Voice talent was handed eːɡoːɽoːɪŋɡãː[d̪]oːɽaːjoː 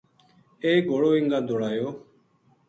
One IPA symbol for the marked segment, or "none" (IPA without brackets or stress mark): d̪